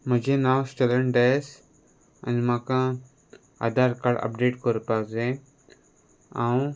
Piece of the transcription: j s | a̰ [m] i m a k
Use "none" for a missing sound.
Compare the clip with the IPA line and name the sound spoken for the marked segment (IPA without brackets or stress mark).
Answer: n